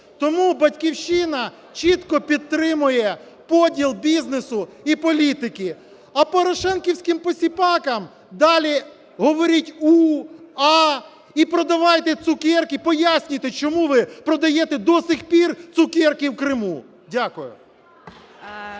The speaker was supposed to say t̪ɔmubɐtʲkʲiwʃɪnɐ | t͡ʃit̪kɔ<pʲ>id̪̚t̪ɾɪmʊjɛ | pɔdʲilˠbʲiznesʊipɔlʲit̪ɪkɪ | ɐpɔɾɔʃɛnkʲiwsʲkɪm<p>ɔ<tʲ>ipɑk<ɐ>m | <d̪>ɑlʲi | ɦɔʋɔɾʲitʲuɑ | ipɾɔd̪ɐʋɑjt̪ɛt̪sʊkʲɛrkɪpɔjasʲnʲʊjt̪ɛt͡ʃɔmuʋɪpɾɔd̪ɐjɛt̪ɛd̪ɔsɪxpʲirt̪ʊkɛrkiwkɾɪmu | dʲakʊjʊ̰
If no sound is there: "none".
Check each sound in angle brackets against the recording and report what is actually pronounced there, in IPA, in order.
pʲ, p, sʲ, ɐ, d̪

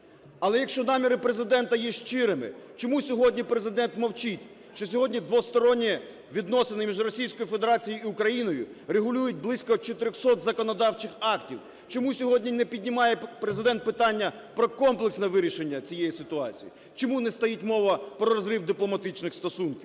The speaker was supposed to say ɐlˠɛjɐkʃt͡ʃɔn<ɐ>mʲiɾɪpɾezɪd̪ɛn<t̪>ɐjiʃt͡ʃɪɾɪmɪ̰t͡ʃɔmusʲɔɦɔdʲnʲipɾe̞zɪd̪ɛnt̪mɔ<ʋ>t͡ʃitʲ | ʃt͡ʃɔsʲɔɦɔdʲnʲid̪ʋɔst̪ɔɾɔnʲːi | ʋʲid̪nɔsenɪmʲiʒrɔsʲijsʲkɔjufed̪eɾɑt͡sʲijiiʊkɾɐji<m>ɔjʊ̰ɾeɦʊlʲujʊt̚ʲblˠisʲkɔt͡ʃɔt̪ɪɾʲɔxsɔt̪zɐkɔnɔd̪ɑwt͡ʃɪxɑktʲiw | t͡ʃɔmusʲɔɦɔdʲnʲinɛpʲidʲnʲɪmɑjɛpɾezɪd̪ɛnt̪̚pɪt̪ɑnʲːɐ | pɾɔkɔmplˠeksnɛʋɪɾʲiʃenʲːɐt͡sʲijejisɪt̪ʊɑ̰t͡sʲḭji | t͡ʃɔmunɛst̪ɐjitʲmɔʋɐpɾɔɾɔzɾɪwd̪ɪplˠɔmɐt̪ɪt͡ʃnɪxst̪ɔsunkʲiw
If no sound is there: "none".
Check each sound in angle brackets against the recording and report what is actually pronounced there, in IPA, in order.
ɑ, t̪, w, n

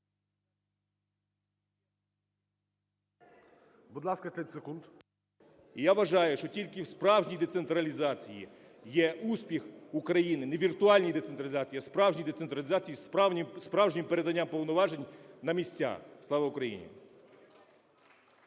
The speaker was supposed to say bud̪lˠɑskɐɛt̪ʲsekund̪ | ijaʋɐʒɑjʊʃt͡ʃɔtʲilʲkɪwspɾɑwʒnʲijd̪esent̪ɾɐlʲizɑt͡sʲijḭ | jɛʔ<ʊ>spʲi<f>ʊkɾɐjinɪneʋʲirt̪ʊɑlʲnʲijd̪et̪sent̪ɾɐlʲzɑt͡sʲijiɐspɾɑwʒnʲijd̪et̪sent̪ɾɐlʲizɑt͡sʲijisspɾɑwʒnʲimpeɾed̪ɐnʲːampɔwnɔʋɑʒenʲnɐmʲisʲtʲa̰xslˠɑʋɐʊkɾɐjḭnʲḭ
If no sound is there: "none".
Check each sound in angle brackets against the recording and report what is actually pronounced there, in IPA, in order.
u, x

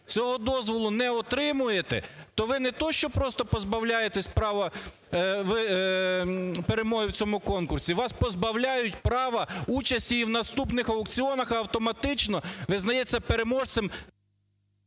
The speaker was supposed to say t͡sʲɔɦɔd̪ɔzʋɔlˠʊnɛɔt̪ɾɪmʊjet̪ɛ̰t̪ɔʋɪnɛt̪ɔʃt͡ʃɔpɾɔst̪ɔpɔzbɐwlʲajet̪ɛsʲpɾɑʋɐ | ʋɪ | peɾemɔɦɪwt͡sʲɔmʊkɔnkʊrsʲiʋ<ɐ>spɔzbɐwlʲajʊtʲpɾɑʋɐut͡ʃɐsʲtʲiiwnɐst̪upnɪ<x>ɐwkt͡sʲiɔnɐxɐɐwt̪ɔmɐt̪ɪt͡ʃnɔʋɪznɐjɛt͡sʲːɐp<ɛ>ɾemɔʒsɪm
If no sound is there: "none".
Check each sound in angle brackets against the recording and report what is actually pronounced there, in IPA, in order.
ɑ, x, e

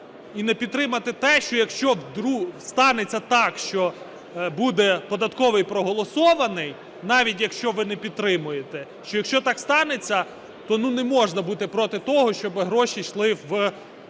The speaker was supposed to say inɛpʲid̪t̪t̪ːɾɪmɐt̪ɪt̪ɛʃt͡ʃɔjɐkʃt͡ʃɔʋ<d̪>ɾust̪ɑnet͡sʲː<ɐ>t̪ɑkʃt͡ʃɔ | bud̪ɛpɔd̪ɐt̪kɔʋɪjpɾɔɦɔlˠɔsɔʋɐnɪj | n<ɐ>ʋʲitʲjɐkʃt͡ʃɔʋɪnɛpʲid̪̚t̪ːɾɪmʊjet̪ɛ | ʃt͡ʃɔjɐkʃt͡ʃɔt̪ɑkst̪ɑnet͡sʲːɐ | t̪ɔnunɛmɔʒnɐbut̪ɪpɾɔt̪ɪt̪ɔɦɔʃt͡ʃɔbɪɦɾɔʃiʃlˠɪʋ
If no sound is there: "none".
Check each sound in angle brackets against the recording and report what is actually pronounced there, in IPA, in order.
d̪, ɐ, ɑ

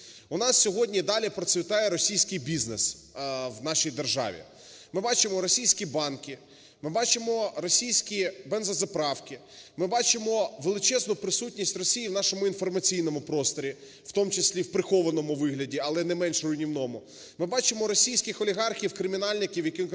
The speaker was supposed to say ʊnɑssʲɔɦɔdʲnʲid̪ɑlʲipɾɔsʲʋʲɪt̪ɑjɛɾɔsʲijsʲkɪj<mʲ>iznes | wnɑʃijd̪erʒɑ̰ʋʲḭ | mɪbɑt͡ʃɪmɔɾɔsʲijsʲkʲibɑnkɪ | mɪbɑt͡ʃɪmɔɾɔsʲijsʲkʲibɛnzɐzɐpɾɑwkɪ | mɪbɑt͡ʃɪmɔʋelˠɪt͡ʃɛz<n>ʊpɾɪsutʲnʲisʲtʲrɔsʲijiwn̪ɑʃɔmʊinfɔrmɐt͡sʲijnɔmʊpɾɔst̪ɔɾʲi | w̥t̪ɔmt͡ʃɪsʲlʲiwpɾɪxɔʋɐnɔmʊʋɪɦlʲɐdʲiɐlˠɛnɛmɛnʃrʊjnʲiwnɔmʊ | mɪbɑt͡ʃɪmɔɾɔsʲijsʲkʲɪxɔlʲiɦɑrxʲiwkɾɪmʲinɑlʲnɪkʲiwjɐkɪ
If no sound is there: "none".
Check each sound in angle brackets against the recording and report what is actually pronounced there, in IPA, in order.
bʲ, n

